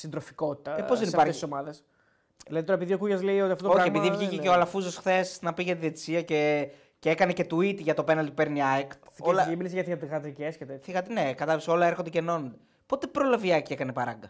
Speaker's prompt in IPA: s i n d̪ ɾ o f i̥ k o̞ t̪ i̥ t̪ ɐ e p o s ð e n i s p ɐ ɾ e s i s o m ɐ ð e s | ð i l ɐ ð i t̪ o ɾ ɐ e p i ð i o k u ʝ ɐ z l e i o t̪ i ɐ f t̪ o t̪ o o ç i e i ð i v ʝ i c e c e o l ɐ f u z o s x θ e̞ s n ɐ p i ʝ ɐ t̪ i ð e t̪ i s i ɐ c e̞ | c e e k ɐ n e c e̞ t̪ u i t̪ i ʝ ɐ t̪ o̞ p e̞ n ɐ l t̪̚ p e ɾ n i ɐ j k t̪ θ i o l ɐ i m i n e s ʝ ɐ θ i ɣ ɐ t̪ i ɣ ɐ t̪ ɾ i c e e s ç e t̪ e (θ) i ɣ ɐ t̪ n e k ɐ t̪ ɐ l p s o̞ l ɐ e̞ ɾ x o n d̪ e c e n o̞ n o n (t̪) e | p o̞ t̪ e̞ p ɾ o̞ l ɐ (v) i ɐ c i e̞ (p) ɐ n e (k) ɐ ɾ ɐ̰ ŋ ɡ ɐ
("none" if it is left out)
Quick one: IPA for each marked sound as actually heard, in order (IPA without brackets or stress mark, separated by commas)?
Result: θ, d̪, v, k, p